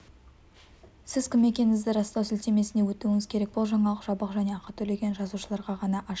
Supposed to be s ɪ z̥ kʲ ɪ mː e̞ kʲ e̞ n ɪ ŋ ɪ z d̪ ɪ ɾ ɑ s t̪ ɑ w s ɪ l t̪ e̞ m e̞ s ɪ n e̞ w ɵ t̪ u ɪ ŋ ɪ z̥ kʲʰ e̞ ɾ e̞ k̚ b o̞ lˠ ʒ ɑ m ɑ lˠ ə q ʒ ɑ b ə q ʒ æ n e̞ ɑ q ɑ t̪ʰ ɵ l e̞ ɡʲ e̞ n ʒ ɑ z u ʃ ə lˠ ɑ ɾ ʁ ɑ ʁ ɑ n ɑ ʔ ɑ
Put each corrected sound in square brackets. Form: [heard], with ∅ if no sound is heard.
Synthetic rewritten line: s ɪ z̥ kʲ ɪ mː e̞ kʲ e̞ n ɪ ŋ ɪ z d̪ ɪ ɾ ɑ s t̪ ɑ w s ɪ l t̪ e̞ m e̞ s ɪ n e̞ w ɵ t̪ u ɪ ŋ ɪ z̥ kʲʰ e̞ ɾ e̞ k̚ b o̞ lˠ ʒ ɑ [ɴ] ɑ lˠ ə q ʒ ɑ b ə q ʒ æ n e̞ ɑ q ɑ t̪ʰ ɵ l e̞ ɡʲ e̞ n ʒ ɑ z u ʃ ə lˠ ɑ ɾ ʁ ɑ ʁ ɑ n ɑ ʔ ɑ

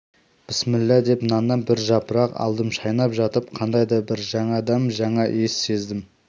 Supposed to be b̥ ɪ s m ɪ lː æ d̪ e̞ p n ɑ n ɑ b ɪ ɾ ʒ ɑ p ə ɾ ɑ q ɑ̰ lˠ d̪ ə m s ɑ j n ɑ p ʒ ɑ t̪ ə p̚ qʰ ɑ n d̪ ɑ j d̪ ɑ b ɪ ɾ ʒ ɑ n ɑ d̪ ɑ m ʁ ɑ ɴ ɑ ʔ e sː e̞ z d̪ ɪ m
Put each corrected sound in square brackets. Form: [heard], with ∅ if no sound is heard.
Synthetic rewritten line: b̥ ɪ s m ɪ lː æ d̪ e̞ p n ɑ n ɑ b ɪ ɾ ʒ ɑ p ə ɾ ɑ q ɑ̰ lˠ d̪ ə m [ʃ] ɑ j n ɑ p ʒ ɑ t̪ ə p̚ qʰ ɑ n d̪ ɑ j d̪ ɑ b ɪ ɾ ʒ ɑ [ɴ] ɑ d̪ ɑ m [ʒ] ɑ ɴ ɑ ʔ e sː e̞ z d̪ ɪ m

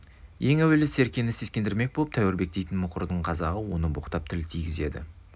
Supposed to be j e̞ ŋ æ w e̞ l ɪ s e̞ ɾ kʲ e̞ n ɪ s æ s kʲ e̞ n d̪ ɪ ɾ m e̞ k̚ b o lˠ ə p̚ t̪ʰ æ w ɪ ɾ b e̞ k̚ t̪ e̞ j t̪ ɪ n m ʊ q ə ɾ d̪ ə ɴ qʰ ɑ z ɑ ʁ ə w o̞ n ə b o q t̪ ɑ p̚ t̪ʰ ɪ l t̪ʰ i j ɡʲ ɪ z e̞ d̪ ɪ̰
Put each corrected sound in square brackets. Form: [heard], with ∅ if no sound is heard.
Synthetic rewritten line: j e̞ ŋ æ w e̞ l ɪ s e̞ ɾ kʲ e̞ n ɪ s [e] s kʲ e̞ n d̪ ɪ ɾ m e̞ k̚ b o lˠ ə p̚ t̪ʰ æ w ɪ ɾ b e̞ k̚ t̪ e̞ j t̪ ɪ n m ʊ q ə ɾ d̪ ə ɴ qʰ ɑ z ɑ ʁ ə w o̞ n ə b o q t̪ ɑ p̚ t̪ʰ ɪ l t̪ʰ i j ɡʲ ɪ z e̞ d̪ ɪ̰

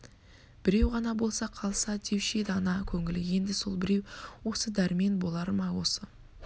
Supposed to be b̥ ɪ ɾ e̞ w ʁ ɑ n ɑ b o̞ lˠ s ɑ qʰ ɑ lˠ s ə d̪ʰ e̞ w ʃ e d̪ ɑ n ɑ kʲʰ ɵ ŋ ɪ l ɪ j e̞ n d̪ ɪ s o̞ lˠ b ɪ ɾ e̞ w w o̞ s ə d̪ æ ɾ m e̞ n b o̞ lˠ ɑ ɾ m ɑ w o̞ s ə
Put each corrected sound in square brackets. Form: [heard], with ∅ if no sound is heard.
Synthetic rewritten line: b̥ ɪ ɾ e̞ w ʁ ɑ n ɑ b o̞ lˠ s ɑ qʰ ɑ lˠ s [ɑ] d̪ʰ e̞ w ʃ e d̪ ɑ n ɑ kʲʰ ɵ ŋ ɪ l ɪ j e̞ n d̪ ɪ s o̞ lˠ b ɪ ɾ e̞ w w o̞ s ə d̪ æ ɾ m e̞ n b o̞ lˠ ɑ ɾ m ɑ w o̞ s ə

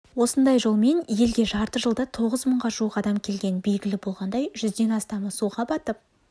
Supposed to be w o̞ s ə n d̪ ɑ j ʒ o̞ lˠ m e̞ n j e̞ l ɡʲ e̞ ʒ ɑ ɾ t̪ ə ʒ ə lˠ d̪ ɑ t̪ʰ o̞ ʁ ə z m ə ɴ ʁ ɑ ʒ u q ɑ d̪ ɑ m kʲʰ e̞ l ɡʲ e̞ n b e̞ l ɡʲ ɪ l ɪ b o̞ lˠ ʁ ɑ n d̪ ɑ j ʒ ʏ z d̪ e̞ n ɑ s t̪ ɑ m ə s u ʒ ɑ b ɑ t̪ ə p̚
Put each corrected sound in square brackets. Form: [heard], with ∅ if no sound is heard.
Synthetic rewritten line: w o̞ s ə n d̪ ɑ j ʒ o̞ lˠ m e̞ n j e̞ l ɡʲ e̞ ʒ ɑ ɾ t̪ ə ʒ ə lˠ d̪ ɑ t̪ʰ o̞ ʁ ə z m ə ɴ ʁ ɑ ʒ u q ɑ d̪ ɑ m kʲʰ e̞ l ɡʲ e̞ n b e̞ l ɡʲ ɪ l ɪ b o̞ lˠ ʁ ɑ n d̪ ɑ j ʒ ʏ z d̪ e̞ n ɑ s t̪ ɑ m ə s u [ʁ] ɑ b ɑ t̪ ə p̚

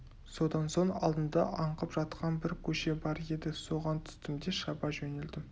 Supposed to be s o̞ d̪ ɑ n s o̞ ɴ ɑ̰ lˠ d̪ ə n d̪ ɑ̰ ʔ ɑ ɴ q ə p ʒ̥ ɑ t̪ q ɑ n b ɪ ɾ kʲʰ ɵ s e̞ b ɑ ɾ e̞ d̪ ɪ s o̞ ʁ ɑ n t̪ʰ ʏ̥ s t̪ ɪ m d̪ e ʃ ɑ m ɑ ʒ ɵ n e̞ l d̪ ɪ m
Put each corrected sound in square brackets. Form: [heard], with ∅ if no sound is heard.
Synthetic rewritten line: s o̞ d̪ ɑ n s o̞ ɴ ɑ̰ lˠ d̪ ə n d̪ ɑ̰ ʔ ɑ ɴ q ə p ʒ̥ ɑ t̪ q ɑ n b ɪ ɾ kʲʰ ɵ [ʃ] e̞ b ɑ ɾ e̞ d̪ ɪ s o̞ ʁ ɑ n t̪ʰ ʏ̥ s t̪ ɪ m d̪ e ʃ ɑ [b] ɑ ʒ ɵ n e̞ l d̪ ɪ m

